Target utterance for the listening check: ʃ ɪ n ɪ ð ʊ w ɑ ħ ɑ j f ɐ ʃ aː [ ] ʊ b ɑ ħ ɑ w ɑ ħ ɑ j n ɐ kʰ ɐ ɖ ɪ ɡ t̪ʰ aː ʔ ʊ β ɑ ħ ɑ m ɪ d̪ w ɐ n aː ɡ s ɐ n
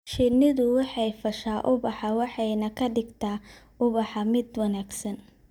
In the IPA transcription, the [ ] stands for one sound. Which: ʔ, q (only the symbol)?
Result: ʔ